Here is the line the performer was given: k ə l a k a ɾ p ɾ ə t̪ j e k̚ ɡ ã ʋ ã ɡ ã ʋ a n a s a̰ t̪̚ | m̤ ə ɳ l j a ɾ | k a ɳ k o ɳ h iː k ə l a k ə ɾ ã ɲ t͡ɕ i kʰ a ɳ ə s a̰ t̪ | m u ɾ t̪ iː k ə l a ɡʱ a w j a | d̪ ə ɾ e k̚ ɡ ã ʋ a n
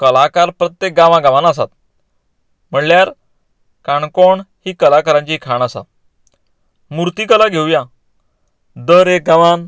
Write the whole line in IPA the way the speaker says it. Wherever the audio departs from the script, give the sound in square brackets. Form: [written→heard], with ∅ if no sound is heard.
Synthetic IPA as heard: k ə l a k a ɾ p ɾ ə t̪ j e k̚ ɡ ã ʋ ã ɡ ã ʋ a n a s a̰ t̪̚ | m̤ ə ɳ l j a ɾ | k a ɳ k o ɳ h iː k ə l a k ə ɾ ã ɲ t͡ɕ i kʰ a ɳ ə s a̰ t̪ | m u ɾ t̪ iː k ə l a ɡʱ [a→e] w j a | d̪ ə ɾ e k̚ ɡ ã ʋ a n